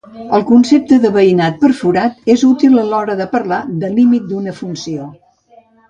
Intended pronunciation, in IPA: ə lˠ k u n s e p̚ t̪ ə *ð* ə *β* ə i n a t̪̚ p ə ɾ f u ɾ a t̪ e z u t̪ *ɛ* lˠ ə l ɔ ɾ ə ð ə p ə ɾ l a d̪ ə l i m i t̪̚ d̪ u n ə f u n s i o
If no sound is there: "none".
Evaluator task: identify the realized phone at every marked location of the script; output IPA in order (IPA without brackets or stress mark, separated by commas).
ð, β, i